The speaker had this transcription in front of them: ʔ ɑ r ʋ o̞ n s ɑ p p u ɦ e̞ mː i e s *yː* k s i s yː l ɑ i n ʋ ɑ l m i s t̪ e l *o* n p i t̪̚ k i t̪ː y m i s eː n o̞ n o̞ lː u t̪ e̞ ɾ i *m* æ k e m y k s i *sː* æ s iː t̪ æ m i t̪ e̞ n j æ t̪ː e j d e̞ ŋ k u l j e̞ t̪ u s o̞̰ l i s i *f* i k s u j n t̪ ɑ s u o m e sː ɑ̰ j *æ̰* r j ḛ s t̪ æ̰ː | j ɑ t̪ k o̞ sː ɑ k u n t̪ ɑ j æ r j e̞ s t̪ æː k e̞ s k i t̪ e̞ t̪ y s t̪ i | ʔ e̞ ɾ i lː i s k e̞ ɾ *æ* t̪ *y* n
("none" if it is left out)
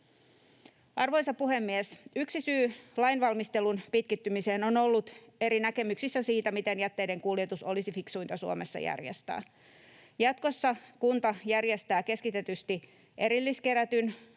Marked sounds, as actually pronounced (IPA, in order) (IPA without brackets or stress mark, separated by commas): y, u, n, sː, f, æ̰, æ, y